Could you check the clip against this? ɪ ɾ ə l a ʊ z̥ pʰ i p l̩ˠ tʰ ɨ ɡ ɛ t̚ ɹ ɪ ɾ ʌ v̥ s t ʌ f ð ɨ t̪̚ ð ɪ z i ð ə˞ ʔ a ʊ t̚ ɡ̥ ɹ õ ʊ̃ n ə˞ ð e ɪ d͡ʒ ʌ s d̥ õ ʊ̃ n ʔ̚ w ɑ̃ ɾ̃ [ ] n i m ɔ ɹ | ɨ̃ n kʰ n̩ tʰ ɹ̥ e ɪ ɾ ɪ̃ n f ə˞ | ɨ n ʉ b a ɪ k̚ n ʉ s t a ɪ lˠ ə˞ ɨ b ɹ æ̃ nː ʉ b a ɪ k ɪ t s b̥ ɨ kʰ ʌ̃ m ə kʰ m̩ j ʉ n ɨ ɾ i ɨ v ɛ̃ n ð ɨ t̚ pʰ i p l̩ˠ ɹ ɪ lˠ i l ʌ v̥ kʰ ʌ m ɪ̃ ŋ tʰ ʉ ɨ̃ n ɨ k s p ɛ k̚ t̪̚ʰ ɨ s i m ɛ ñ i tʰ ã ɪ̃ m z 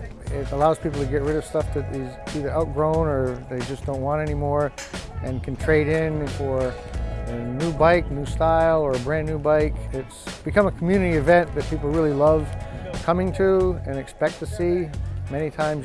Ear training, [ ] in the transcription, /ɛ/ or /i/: ɛ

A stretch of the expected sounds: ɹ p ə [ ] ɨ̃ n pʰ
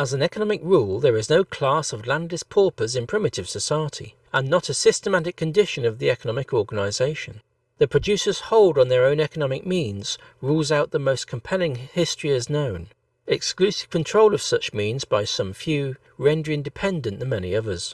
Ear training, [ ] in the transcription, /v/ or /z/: z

